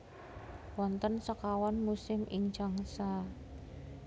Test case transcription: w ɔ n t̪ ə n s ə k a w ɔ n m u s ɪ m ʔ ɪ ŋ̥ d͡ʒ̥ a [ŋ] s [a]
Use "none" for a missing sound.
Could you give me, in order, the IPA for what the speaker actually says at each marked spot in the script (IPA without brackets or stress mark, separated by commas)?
ŋ, a